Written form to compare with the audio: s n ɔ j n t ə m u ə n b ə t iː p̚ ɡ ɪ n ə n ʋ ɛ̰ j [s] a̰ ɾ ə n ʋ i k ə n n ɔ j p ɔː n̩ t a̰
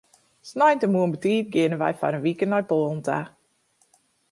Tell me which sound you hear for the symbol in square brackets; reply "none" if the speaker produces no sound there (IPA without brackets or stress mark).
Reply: f